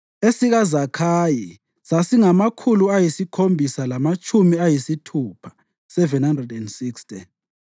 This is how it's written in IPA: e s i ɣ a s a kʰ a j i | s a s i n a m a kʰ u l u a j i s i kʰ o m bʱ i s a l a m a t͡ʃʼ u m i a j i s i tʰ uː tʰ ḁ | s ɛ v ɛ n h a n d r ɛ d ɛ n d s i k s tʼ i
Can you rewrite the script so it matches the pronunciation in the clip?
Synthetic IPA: e s i ɣ a z a kʰ a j i | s a s i ŋ a m a kʰ u l u a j i s i kʰ o m bʱ i s a l a m a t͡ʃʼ u m i a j i s i tʰ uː pʰ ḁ | s ɛ v ɛ n h a n d r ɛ d ɛ n d s i k s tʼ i